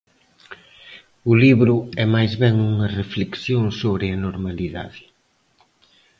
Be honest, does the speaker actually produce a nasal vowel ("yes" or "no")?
no